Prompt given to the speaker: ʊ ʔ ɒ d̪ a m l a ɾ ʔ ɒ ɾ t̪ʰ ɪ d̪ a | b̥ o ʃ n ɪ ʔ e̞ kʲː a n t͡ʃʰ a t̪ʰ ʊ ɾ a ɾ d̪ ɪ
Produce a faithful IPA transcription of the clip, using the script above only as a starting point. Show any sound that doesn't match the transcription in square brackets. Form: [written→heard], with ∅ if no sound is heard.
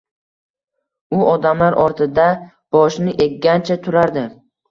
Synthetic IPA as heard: ʊ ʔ ɒ d̪ a m l a ɾ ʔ ɒ ɾ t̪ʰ ɪ d̪ a | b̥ [o→ɒ] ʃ n ɪ ʔ e̞ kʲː a n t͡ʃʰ a t̪ʰ ʊ ɾ a ɾ d̪ ɪ

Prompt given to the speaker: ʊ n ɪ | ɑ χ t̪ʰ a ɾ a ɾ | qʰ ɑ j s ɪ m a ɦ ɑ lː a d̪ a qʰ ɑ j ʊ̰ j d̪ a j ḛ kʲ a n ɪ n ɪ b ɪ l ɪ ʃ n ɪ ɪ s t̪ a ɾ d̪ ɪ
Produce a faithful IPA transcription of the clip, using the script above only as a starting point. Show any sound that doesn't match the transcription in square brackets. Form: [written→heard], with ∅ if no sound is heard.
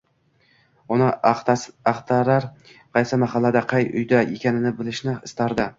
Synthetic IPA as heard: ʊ n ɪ | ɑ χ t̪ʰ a ɾ a ɾ | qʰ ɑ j s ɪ m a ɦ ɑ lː a d̪ a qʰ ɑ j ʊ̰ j d̪ a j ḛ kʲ a n ɪ n ɪ b ɪ l ɪ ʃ n ɪ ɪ s t̪ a ɾ d̪ ɪ

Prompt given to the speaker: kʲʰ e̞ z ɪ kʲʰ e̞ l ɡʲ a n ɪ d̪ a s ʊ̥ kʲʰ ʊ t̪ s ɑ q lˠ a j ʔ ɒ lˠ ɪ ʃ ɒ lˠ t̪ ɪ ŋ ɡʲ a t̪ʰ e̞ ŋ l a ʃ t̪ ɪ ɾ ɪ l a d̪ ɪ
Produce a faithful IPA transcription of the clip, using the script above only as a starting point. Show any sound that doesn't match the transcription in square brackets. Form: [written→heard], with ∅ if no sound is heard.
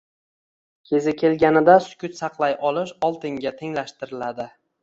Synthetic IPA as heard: kʲʰ e̞ z ɪ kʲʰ e̞ l ɡʲ a n ɪ d̪ a s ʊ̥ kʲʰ ʊ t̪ s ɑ q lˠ a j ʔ ɒ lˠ ɪ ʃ ɒ lˠ t̪ ɪ ŋ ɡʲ a t̪ʰ e̞ ŋ l a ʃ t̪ ɪ ɾ ɪ l a d̪ ɪ

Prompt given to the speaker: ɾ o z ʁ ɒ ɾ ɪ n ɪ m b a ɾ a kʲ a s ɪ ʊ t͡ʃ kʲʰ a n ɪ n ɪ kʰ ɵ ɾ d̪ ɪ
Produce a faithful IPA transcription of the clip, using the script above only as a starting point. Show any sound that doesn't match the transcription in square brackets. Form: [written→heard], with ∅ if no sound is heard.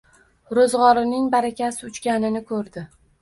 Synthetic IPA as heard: ɾ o z ʁ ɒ ɾ ɪ n ɪ [m→ŋ] b a ɾ a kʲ a s ɪ ʊ t͡ʃ [kʲʰ→kʲ] a n ɪ n ɪ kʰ ɵ ɾ d̪ ɪ

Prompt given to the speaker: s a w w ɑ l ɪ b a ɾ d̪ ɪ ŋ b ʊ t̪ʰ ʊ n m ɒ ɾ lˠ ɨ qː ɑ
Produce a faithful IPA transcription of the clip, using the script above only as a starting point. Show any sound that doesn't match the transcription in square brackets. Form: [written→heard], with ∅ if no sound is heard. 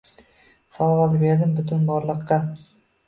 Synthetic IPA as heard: s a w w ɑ l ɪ b [a→e] ɾ d̪ ɪ [ŋ→m] b ʊ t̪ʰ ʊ n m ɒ ɾ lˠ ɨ qː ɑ

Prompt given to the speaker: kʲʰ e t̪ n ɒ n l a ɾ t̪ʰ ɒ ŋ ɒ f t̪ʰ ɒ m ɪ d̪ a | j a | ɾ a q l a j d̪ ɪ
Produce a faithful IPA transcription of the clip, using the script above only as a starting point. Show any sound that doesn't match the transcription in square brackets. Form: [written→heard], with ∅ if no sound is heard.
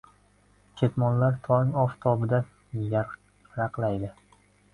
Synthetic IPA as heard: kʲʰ e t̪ [n→m] ɒ n l a ɾ t̪ʰ ɒ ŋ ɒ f t̪ʰ ɒ [m→b] ɪ d̪ a | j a | ɾ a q l a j d̪ ɪ

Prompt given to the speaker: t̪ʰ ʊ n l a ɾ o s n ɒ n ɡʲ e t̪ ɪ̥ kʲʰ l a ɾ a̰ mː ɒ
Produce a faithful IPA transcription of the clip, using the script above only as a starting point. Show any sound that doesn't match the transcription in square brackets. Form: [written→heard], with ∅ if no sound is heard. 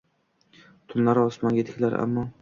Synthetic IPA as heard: t̪ʰ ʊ n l a ɾ [o→ɒ] s [n→m] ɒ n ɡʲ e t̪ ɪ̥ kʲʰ l a ɾ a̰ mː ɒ

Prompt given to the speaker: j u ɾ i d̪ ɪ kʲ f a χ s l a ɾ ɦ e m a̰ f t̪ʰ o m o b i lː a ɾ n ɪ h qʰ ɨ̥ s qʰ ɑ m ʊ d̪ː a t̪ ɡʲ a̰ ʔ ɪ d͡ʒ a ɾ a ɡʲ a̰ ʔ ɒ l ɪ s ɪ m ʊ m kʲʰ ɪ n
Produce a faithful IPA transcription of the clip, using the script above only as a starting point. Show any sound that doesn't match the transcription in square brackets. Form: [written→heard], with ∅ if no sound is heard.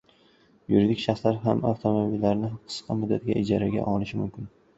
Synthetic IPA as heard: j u ɾ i d̪ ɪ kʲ [f→ʃ] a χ s l a ɾ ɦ [e→a] m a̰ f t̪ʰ o m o b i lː a ɾ n ɪ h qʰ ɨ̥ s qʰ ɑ m ʊ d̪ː a t̪ ɡʲ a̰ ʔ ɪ d͡ʒ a ɾ a ɡʲ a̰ ʔ ɒ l ɪ [s→ʃ] ɪ m ʊ m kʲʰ ɪ n

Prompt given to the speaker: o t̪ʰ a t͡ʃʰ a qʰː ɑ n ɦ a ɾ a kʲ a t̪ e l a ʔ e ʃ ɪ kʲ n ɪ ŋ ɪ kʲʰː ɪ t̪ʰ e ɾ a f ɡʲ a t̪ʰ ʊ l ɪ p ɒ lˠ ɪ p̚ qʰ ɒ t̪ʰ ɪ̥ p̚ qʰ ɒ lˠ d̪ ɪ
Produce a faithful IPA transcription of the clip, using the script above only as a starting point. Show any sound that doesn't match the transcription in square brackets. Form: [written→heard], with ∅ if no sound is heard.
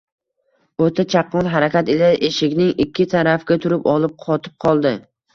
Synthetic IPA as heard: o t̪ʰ a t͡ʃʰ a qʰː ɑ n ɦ a ɾ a kʲ a t̪ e l a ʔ e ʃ ɪ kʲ n ɪ ŋ ɪ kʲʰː ɪ t̪ʰ [e→a] ɾ a f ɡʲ a t̪ʰ ʊ [l→ɾ] ɪ p ɒ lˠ ɪ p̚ qʰ ɒ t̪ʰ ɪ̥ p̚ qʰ ɒ lˠ d̪ ɪ

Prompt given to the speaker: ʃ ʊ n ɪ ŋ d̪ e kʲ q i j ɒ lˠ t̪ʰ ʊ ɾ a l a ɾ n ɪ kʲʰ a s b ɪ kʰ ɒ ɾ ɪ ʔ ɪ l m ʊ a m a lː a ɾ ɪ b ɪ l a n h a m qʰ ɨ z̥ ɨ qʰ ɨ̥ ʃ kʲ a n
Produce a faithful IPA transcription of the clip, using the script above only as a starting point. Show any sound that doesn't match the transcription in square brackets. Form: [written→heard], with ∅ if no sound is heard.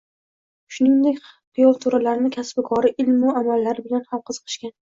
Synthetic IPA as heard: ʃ ʊ n ɪ ŋ d̪ e kʲ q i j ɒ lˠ t̪ʰ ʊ ɾ a l a ɾ n ɪ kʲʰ a s b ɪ kʰ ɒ ɾ ɪ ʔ ɪ l m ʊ a m a lː a ɾ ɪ b ɪ l a n h a m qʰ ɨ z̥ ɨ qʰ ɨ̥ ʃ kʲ a n

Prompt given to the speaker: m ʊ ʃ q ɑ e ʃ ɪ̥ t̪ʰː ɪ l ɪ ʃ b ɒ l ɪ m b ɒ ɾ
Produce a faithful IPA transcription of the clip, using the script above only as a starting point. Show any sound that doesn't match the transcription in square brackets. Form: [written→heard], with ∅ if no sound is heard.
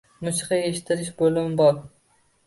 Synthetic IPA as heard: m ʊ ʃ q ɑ e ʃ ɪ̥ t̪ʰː ɪ [l→ɾ] ɪ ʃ b [ɒ→o] l ɪ m b ɒ ɾ

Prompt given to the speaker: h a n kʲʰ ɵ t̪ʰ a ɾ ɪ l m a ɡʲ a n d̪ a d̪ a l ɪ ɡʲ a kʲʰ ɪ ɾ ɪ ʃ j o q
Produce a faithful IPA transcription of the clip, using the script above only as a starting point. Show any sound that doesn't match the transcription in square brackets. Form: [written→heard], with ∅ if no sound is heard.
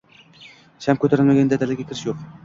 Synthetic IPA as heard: [h→ʃ] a [n→m] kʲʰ ɵ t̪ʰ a ɾ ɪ l m a ɡʲ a n d̪ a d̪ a l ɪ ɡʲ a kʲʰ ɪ ɾ ɪ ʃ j o q

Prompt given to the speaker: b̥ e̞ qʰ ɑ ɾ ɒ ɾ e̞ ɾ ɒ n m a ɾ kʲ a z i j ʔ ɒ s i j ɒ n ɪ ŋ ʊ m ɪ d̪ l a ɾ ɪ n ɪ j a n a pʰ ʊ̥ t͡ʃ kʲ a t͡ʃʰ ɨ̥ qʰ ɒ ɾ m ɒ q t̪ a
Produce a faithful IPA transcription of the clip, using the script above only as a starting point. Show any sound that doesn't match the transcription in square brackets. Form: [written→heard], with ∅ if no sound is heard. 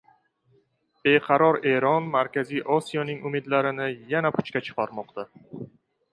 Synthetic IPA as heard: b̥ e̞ qʰ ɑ ɾ ɒ ɾ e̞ ɾ ɒ n m a ɾ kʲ a z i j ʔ ɒ s i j ɒ n ɪ ŋ ʊ m ɪ d̪ l a ɾ ɪ n ɪ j a n a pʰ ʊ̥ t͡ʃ kʲ a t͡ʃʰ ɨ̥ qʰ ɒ ɾ m ɒ q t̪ a

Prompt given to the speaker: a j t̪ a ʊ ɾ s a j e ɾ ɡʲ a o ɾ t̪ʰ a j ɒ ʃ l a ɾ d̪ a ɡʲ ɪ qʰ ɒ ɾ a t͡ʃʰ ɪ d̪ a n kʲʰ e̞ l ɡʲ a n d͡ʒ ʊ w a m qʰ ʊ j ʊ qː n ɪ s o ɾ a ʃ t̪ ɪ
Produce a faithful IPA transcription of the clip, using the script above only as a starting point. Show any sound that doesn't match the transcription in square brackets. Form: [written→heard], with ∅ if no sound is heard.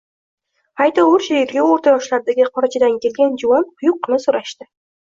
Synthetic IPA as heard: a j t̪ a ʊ ɾ [s→ʃ] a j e ɾ ɡʲ a o ɾ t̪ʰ a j ɒ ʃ l a ɾ d̪ a ɡʲ ɪ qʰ ɒ ɾ a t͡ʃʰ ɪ d̪ a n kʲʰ e̞ l ɡʲ a n d͡ʒ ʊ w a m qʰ ʊ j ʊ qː n ɪ s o ɾ a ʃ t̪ ɪ

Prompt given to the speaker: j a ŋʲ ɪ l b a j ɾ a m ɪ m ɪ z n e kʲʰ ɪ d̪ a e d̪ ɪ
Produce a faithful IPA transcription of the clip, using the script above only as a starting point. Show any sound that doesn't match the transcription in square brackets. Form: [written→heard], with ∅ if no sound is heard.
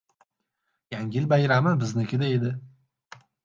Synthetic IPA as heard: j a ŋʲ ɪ l b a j ɾ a m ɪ [m→b] ɪ z n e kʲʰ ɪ d̪ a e d̪ ɪ

